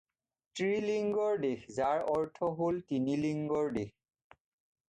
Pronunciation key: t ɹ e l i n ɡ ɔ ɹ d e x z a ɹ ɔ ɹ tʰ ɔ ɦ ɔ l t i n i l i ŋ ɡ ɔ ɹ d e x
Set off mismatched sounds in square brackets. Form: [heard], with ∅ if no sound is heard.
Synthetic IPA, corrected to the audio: t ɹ [i] l i [ŋ] ɡ ɔ ɹ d e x z a ɹ ɔ ɹ tʰ ɔ ɦ [o] l t i n i l i ŋ ɡ ɔ ɹ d e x